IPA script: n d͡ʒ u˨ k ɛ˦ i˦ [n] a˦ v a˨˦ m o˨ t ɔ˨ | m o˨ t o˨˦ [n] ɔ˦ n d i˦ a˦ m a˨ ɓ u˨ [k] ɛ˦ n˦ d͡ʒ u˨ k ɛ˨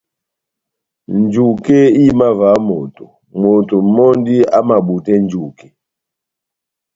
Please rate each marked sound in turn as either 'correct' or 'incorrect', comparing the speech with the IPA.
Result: incorrect, incorrect, incorrect

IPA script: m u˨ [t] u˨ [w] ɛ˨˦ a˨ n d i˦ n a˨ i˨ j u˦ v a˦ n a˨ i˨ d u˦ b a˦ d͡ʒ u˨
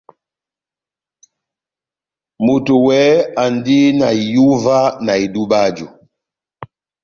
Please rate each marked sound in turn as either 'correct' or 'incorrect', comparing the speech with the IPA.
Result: correct, correct

